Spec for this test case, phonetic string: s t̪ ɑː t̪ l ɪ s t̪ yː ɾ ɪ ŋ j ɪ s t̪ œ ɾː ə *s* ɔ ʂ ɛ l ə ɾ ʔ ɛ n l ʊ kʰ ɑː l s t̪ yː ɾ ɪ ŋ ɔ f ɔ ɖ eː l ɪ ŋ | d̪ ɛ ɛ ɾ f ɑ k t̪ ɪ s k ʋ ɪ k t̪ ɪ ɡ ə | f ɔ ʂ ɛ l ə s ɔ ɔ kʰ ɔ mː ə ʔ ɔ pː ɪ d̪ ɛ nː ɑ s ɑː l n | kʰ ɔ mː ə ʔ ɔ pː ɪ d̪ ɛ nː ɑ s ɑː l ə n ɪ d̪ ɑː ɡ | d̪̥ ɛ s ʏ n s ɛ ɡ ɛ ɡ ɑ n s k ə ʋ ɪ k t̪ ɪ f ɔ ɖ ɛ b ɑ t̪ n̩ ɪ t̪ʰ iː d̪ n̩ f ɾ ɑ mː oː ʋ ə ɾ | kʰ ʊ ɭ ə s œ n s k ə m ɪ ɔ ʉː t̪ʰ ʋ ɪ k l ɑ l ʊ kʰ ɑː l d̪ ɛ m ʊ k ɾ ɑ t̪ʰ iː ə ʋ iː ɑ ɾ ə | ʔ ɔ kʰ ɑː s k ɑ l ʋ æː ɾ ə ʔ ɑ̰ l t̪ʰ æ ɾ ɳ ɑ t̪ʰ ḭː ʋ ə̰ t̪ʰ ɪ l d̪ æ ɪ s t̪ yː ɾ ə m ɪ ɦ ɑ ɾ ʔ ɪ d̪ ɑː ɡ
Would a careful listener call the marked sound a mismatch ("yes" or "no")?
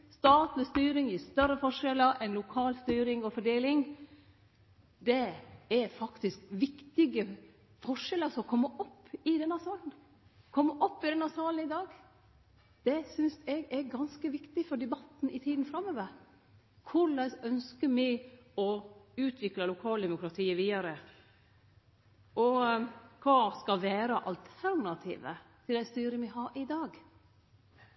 yes